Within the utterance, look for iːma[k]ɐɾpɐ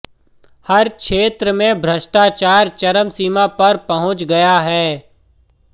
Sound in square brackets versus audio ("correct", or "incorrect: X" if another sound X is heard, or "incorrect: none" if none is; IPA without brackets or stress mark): incorrect: p